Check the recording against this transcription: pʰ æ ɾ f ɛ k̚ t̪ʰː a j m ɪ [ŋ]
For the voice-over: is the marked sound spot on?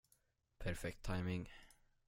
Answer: yes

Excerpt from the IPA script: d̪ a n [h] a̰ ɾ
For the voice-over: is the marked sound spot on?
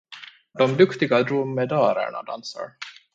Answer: no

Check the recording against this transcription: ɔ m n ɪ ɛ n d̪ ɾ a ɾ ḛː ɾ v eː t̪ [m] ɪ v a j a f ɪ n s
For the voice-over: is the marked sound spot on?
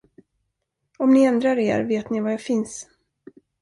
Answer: no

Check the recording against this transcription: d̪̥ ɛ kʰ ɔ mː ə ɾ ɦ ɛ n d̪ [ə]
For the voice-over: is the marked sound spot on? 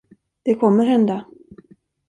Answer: no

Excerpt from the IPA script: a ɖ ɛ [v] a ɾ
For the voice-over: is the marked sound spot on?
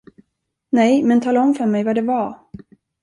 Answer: yes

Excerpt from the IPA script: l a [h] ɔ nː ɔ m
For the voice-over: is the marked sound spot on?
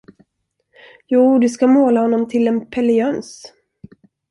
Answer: yes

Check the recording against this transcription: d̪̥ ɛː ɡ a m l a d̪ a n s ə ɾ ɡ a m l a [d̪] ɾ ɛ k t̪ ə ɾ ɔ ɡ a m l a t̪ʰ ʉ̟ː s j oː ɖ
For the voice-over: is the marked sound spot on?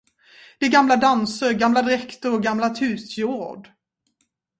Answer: yes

